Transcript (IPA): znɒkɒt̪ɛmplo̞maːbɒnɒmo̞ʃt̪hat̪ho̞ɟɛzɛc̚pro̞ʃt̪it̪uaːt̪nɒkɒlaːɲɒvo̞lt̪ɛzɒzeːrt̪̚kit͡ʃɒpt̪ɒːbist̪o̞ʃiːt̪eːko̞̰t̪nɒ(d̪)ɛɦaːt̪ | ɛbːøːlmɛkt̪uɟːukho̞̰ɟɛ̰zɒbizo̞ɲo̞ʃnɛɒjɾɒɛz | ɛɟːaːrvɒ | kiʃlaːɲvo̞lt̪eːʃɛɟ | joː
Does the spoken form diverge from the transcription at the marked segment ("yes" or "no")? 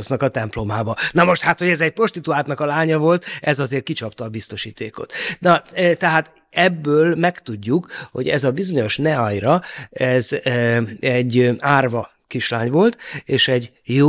yes